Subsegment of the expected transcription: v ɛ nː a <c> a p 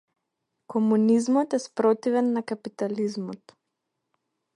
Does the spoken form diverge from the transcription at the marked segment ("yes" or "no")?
yes